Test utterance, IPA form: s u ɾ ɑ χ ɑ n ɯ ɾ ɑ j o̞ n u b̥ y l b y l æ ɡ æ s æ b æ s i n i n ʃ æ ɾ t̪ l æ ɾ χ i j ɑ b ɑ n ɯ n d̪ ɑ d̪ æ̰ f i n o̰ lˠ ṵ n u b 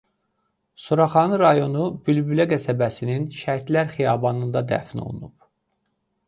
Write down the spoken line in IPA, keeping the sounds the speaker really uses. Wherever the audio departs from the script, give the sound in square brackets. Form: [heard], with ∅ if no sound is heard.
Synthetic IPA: s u ɾ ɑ χ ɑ n ɯ ɾ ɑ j o̞ n u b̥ y l b y l æ ɡ æ s æ b æ s i n i n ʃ æ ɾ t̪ l æ ɾ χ i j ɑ b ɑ n ɯ n d̪ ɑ d̪ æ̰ f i n o̰ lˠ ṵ n u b